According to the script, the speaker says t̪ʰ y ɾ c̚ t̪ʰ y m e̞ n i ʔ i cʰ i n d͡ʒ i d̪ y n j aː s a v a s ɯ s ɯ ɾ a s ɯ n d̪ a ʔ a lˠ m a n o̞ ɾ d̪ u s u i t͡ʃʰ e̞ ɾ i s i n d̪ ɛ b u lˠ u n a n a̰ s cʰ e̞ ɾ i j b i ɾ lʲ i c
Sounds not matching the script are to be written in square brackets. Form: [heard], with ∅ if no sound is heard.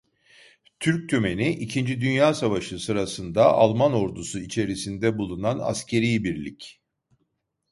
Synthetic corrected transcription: t̪ʰ y ɾ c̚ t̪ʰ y m e̞ n i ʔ i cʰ i n d͡ʒ i d̪ y n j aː s a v a [ʃ] ɯ s ɯ ɾ a s ɯ n d̪ a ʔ a lˠ m a n o̞ ɾ d̪ u s u i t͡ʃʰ e̞ ɾ i s i n d̪ ɛ b u lˠ u n a n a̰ s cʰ e̞ ɾ i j b i ɾ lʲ i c